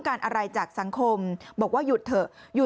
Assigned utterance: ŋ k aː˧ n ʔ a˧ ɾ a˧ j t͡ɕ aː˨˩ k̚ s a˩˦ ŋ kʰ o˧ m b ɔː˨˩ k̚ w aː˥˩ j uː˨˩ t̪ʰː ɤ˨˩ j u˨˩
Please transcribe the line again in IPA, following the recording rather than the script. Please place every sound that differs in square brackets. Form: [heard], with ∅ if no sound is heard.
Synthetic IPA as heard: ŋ k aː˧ n ʔ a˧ ɾ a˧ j t͡ɕ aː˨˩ k̚ s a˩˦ ŋ kʰ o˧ m b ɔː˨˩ k̚ w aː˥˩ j [u˨˩] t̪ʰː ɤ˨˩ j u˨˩